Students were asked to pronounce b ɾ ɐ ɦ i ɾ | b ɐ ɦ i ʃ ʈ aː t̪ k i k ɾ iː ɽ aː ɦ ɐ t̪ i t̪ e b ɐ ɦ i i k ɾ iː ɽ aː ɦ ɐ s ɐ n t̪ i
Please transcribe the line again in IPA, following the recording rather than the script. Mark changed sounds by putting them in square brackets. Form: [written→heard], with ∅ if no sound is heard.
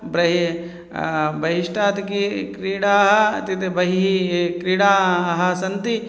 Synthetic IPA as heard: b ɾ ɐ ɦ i [ɾ→∅] | b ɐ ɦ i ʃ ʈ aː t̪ k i k ɾ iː ɽ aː ɦ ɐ t̪ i t̪ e b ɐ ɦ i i k ɾ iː ɽ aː ɦ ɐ s ɐ n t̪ i